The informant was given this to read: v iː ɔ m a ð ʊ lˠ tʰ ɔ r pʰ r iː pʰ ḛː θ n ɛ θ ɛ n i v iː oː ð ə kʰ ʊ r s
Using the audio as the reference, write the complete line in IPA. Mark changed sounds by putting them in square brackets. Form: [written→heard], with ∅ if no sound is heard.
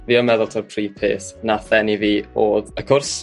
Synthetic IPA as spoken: v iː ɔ m [a→ɛ] ð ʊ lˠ tʰ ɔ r pʰ r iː pʰ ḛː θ n [ɛ→a] θ ɛ n i v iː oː ð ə kʰ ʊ r s